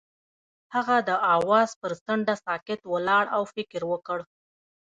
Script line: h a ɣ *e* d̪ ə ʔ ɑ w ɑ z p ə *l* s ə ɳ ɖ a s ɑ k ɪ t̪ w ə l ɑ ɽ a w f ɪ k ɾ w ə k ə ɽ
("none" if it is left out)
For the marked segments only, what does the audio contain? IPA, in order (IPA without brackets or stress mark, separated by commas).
a, ɾ